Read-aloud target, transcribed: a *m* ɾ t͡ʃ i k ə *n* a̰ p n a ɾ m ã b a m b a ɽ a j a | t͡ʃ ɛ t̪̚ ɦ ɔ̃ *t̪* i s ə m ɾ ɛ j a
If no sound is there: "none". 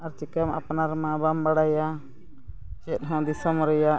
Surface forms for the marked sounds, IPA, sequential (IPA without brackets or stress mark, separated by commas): none, m, d̪